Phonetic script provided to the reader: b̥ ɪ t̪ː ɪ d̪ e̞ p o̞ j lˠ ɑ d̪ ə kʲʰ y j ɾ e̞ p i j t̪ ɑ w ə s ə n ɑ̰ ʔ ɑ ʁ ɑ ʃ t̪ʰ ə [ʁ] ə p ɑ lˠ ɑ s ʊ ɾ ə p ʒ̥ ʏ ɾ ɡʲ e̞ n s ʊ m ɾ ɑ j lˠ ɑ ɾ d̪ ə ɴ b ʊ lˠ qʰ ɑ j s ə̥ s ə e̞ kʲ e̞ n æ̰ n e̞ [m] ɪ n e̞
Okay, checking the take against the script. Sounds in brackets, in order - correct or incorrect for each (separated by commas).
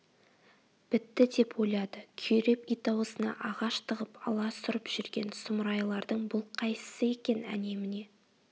correct, correct